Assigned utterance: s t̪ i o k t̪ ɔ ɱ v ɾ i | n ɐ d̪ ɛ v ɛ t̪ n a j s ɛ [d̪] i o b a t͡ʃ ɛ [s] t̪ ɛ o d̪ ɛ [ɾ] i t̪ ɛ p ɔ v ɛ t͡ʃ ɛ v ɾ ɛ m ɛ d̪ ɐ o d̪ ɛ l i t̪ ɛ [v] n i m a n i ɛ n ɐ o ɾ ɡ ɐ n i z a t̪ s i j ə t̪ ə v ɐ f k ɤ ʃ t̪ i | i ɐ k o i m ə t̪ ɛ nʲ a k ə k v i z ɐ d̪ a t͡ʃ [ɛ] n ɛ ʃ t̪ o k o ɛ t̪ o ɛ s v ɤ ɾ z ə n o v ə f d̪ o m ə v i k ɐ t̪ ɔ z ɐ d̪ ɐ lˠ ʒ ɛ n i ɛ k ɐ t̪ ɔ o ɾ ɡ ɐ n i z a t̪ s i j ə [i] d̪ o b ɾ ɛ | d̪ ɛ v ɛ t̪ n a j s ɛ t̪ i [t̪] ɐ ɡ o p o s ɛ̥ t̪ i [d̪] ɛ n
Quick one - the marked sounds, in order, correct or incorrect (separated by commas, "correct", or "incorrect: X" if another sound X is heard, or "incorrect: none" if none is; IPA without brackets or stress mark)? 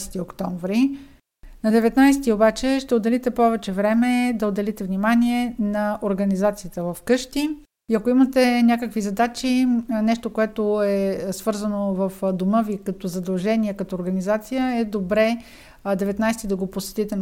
incorrect: t̪, incorrect: ʃ, incorrect: l, correct, incorrect: i, incorrect: ɛ, incorrect: d̪, incorrect: t̪